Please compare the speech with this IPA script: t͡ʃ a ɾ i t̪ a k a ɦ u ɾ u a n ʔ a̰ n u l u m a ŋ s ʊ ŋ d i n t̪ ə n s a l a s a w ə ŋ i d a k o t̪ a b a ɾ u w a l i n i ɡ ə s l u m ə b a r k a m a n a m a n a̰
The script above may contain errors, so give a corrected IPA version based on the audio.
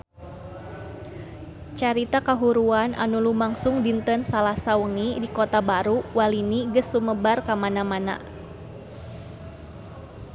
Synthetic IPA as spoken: t͡ʃ a ɾ i t̪ a k a ɦ u ɾ u a n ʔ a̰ n u l u m a ŋ s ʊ ŋ d i n t̪ ə n s a l a s a w ə ŋ i d i k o t̪ a b a ɾ u w a l i n i ɡ ə s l u m ə b a r k a m a n a m a n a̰